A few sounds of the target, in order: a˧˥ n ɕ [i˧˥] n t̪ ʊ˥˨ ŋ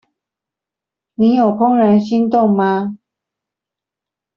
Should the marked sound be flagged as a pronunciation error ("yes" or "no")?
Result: yes